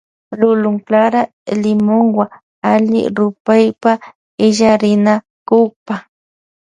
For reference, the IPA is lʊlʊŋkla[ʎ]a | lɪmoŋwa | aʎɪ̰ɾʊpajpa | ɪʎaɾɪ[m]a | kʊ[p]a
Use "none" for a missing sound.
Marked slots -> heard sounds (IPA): ɾ, n, p

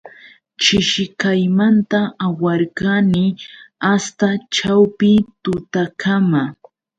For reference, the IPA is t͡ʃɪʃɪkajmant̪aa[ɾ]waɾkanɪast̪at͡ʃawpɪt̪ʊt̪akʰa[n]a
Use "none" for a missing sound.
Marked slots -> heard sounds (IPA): none, m

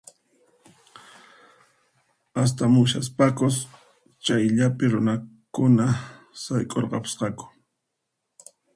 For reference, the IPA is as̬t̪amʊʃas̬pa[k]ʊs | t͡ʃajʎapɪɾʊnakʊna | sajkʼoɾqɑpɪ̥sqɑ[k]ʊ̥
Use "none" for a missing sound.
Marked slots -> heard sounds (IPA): k, k

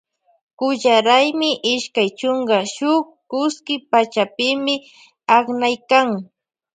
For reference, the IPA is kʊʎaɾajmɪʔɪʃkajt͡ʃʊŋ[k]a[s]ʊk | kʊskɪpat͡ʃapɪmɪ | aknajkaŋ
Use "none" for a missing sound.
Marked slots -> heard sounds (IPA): ɡ, ʃ

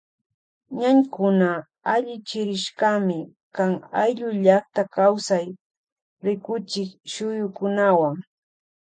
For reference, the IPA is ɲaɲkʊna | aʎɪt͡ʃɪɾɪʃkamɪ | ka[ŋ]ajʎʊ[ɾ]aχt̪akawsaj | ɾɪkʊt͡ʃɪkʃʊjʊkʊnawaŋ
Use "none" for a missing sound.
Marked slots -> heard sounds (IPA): ŋ, ʎ

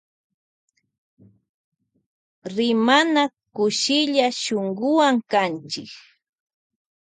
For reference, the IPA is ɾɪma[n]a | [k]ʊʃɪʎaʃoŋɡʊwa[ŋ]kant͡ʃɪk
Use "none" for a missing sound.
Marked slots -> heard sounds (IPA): n, k, ŋ

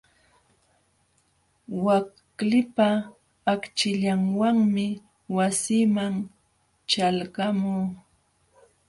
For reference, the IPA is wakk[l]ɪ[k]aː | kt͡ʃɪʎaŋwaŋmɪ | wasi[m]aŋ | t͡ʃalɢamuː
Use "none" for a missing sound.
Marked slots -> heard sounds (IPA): l, p, m

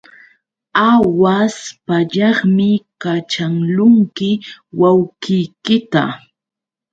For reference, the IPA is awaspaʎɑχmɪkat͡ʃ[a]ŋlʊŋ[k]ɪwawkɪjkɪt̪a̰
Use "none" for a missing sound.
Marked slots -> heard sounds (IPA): a, k

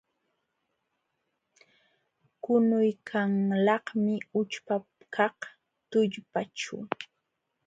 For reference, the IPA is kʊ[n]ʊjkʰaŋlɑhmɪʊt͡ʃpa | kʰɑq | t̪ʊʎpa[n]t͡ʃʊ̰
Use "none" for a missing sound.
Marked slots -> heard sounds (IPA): n, none

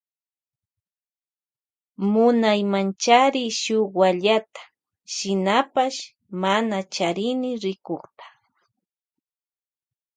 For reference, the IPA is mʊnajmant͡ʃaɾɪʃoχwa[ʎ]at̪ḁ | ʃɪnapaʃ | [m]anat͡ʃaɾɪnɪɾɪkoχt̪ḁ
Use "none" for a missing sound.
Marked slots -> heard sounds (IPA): ʎ, m

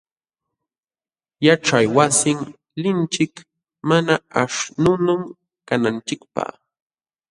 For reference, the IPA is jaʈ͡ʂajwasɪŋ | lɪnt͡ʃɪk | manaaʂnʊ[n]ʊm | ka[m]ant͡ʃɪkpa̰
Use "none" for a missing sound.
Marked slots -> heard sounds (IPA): n, n

